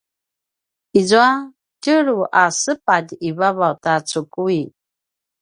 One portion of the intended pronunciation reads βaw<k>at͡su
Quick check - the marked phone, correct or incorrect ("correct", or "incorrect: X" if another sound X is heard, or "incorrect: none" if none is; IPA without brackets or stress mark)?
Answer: incorrect: t